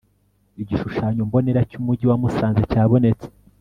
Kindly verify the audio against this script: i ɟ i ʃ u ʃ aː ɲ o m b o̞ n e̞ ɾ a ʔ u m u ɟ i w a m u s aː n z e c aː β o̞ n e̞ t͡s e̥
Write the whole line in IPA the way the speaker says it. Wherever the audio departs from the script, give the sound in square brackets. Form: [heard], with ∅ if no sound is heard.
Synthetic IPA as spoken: i ɟ i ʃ u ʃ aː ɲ o m b o̞ n e̞ ɾ a [c] u m u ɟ i w a m u s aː n z e c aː β o̞ n e̞ t͡s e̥

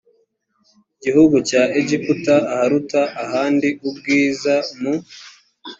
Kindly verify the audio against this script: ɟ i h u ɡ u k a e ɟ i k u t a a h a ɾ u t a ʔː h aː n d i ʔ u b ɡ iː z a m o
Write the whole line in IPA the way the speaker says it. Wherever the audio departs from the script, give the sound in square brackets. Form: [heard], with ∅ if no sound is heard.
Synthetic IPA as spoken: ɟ i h u ɡ u [c] a e ɟ i k u t a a h a ɾ u t a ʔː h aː n d i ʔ u b ɡ iː z a m [u]

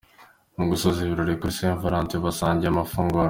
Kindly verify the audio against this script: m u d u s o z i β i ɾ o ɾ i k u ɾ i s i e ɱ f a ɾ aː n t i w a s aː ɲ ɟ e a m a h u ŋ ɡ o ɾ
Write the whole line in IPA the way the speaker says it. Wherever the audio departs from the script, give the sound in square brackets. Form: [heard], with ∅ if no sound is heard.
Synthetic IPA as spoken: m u [ɡ] u s o z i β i ɾ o ɾ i k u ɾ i s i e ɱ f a ɾ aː n t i [β] a s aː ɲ ɟ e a m a [f] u ŋ ɡ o ɾ

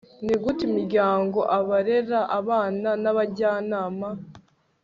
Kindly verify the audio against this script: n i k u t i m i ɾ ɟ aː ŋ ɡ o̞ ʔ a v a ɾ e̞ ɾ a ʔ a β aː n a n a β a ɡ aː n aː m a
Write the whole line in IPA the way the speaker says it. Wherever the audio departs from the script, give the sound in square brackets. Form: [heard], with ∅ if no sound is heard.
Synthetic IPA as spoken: n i [ɡ] u t i m i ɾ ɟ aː ŋ ɡ o̞ ʔ a [β] a ɾ e̞ ɾ a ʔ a β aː n a n a β a [ɟ] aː n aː m a

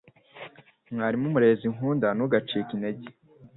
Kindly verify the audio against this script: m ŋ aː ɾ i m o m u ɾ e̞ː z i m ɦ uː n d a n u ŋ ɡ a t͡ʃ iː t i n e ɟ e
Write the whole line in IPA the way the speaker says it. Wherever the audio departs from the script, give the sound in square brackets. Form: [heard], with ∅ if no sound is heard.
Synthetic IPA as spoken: m ŋ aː ɾ i m [u] m u ɾ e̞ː z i [ŋ] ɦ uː n d a n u [∅] ɡ a t͡ʃ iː [k] i n e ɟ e

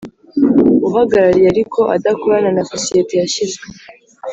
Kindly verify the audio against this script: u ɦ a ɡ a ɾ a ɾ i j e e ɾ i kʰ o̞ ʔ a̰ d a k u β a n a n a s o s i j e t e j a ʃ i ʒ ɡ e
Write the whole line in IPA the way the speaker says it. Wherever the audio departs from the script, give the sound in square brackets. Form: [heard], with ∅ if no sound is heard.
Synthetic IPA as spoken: u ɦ a ɡ a ɾ a ɾ i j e [a] ɾ i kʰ o̞ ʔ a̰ d a k u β a n a n a s o s i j e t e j a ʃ i [z] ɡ e

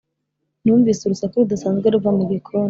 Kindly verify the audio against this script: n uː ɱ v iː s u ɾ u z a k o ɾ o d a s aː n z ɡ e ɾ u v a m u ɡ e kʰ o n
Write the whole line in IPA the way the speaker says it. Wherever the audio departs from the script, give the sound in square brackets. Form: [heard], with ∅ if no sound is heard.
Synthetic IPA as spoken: n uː ɱ v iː s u ɾ u [s] a k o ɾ [u] d a s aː n z ɡ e ɾ u v a m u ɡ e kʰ o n

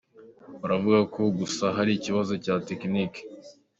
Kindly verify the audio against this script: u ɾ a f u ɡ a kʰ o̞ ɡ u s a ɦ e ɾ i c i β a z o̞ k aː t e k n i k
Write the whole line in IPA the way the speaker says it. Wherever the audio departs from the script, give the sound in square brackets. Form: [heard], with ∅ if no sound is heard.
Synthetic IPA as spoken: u ɾ a [v] u ɡ a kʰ o̞ ɡ u s a ɦ [a] ɾ i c i β a z o̞ [c] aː t e k n i k

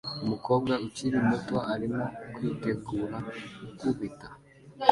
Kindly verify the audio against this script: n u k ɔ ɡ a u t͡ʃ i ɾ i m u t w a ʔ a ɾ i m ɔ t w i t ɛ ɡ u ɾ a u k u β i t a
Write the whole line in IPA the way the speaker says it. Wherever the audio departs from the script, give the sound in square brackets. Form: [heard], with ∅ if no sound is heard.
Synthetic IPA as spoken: [m] u k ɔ ɡ a u t͡ʃ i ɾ i m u t w a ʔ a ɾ i m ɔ [k] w i t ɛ ɡ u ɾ a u k u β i t a

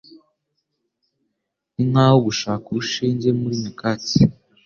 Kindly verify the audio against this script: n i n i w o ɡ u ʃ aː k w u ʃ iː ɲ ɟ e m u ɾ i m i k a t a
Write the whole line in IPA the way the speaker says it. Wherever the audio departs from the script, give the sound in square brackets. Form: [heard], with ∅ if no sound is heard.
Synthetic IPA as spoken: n i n [a] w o ɡ u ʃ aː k [u] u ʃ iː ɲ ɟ e m u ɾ i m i k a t [i]

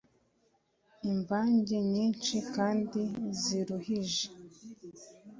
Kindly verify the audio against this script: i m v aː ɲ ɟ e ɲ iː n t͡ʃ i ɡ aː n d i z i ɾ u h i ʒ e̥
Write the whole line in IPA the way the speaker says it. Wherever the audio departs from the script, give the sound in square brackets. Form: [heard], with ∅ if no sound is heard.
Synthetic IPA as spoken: i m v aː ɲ ɟ e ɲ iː n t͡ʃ i [k] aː n d i z i ɾ u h i ʒ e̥

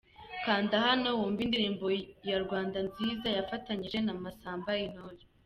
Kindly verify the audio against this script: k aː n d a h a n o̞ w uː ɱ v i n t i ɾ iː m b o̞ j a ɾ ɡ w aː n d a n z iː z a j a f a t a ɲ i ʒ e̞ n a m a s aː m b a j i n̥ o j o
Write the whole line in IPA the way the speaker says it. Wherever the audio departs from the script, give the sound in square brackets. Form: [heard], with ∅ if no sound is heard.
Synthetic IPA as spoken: k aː n d a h a n o̞ w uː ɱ v i n [d] i ɾ iː m b o̞ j a ɾ ɡ w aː n d a n z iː z a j a f a t a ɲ i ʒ e̞ n a m a s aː m b a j i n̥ o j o

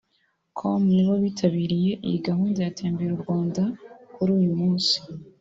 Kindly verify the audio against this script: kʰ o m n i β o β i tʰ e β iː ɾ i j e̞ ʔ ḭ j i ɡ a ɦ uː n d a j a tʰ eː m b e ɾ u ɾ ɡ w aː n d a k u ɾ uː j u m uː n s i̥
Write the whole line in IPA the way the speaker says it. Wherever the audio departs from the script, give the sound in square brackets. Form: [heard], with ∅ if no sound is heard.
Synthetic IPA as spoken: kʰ o m n i β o β i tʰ [a] β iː ɾ i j e̞ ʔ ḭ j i ɡ a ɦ uː n d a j a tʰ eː m b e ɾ u ɾ ɡ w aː n d a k u ɾ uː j u m uː n s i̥

